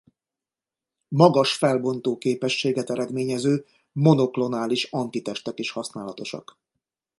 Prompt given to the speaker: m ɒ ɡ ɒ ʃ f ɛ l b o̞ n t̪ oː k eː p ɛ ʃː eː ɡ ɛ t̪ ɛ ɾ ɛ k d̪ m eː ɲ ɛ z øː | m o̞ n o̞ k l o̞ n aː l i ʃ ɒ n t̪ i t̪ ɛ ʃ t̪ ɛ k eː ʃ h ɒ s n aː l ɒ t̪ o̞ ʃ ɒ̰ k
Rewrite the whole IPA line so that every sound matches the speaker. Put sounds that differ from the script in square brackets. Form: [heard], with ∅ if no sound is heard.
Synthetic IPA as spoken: m ɒ ɡ ɒ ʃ f ɛ l b o̞ n t̪ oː k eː p ɛ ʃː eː ɡ ɛ t̪ ɛ ɾ ɛ [∅] d̪ m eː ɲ ɛ z øː | m o̞ n o̞ k l o̞ n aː l i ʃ ɒ n t̪ i t̪ ɛ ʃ t̪ ɛ k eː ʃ h ɒ s n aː l ɒ t̪ o̞ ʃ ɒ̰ k